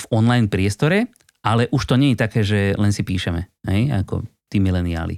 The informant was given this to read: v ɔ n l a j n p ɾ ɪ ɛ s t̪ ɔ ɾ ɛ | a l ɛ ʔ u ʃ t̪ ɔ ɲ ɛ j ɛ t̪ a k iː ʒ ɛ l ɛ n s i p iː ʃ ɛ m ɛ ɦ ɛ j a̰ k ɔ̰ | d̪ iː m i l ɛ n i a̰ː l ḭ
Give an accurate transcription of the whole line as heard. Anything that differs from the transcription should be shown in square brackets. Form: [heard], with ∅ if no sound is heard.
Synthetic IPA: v ɔ n l a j n p ɾ ɪ ɛ s t̪ ɔ ɾ ɛ | a l ɛ ʔ u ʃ t̪ ɔ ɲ ɛ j ɛ t̪ a k [ɛː] ʒ ɛ l ɛ n s i p iː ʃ ɛ m ɛ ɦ ɛ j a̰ k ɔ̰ | [t̪] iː m i l ɛ n i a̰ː l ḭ